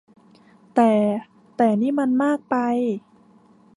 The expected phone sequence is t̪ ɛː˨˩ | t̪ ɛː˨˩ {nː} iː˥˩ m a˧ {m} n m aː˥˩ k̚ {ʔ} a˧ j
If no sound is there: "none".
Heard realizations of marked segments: n, none, p

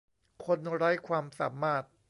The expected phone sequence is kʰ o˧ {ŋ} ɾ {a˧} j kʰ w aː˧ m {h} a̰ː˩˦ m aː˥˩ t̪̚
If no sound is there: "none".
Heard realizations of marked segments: n, a˦˥, s

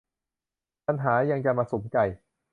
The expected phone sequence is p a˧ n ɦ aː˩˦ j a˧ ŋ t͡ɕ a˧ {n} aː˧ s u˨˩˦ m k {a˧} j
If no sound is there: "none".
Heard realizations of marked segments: m, a˨˩

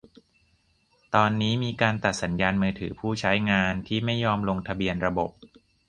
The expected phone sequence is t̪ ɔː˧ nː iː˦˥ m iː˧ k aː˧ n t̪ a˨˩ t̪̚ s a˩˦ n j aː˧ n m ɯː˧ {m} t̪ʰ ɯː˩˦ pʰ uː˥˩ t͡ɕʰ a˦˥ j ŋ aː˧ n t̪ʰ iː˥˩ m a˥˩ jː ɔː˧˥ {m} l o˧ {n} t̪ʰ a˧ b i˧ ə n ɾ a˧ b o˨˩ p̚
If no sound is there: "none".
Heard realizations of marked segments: none, m, ŋ

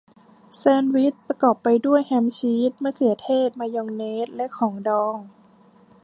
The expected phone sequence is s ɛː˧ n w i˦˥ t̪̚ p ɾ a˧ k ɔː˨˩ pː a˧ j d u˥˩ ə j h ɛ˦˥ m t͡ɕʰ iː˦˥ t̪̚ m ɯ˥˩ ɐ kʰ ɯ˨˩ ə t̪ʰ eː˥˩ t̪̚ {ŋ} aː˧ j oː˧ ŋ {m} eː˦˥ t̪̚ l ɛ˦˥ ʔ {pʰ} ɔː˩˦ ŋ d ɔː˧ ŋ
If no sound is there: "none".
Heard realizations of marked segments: m, n, kʰ

